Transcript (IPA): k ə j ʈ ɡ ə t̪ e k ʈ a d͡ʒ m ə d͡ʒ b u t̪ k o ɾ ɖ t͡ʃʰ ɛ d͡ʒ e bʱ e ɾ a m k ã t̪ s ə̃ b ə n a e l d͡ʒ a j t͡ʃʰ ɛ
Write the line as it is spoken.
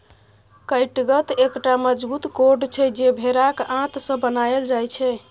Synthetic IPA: k ə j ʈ ɡ ə t̪ e k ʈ a m ə d͡ʒ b u t̪ k o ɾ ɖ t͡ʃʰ ɛ d͡ʒ e bʱ e ɾ a k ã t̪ s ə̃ b ə n a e l d͡ʒ a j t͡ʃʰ ɛ

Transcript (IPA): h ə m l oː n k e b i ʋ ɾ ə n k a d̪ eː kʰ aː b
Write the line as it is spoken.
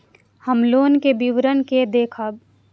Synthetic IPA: h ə m l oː n k e b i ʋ ɾ ə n k e d̪ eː kʰ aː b

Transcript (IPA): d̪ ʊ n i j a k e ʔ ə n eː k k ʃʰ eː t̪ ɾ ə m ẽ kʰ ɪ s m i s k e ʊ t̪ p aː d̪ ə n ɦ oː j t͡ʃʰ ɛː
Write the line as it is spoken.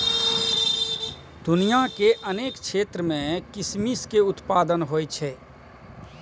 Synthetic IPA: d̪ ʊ n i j a k e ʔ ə n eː k k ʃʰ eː t̪ ɾ ə m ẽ k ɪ s m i s k e ʊ t̪ p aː d̪ ə n ɦ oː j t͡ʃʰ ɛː

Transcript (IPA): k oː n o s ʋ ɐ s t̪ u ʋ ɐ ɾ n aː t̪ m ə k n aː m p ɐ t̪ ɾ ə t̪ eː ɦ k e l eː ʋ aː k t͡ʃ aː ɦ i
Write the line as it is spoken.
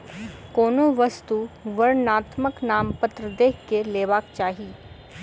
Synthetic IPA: k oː n o ʋ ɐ s t̪ u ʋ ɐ ɾ n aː t̪ m ə k n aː m p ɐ t̪ ɾ ə d̪ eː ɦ k e l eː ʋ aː k t͡ʃ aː ɦ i

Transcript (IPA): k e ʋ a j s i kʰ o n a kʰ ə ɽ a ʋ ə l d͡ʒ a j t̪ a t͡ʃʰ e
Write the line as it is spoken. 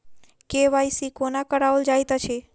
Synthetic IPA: k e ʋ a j s i k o n a k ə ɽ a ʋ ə l d͡ʒ a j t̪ a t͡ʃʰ e

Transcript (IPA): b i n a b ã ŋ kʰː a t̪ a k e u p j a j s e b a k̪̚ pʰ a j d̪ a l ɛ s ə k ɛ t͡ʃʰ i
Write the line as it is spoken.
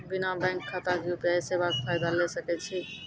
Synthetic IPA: b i n a b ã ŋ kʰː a t̪ a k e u p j a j s e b a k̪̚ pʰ a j d̪ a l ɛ s ə k ɛ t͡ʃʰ i

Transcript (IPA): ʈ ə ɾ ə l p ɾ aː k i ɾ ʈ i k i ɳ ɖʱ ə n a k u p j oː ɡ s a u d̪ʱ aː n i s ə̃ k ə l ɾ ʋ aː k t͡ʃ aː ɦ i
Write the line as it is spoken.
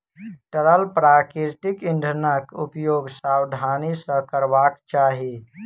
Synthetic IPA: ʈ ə ɾ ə l p ɾ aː k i ɾ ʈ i k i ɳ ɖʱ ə n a k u p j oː ɡ s a w d̪ʱ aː n i s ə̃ k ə ɾ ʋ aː k t͡ʃ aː ɦ i

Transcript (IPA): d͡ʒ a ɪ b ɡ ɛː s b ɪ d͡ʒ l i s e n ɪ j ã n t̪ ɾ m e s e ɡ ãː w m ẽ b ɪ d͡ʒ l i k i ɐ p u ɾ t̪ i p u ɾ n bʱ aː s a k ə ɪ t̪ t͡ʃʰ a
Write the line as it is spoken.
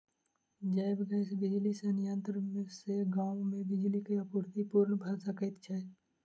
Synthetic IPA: d͡ʒ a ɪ b ɡ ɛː s b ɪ d͡ʒ l i s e n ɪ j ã n t̪ ɾ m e s e ɡ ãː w m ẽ b ɪ d͡ʒ l i k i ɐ p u ɾ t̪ i p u ɾ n bʱ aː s a k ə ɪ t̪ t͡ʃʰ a

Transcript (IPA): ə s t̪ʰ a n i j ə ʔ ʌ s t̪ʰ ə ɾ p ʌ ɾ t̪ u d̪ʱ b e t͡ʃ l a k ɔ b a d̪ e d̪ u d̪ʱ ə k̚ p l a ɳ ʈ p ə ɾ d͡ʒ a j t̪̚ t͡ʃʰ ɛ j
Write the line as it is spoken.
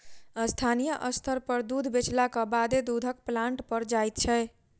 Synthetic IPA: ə s t̪ʰ a n i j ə ʔ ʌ s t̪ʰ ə ɾ p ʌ ɾ d̪ u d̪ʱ b e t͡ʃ l a k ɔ b a d̪ e d̪ u d̪ʱ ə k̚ p l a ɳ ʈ p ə ɾ d͡ʒ a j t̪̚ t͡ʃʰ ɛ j

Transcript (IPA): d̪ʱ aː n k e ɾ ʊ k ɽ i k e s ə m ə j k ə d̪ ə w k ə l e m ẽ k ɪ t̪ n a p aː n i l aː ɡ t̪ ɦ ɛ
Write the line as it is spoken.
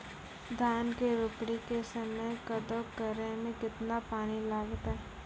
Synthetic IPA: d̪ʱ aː n k e ɾ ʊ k ɽ i k e s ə m ə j k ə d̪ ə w k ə ɾ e m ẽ k ɪ t̪ n a p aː n i l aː ɡ t̪ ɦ ɛ

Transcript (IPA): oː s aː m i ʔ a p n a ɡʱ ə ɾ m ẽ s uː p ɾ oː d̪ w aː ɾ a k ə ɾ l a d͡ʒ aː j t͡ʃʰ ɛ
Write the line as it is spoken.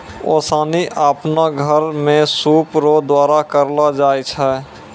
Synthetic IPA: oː s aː n i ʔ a p n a ɡʱ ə ɾ m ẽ s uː p ɾ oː d̪ w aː ɾ a k ə ɾ l a d͡ʒ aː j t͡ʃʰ ɛ

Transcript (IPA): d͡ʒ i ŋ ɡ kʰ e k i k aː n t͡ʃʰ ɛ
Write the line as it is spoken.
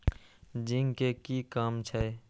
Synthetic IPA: d͡ʒ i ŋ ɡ k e k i k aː m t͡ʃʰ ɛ

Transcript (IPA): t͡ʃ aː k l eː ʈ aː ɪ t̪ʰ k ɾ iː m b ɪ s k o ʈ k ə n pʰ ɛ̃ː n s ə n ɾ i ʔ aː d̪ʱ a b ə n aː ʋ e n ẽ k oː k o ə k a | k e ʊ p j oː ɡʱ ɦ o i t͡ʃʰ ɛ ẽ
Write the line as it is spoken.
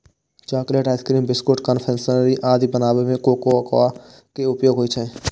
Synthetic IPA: t͡ʃ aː k l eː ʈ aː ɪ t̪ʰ k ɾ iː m b ɪ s k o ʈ k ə n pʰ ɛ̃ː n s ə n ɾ i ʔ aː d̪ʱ i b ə n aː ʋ e m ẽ k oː k o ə k a | k e ʊ p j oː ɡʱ ɦ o i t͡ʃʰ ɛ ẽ

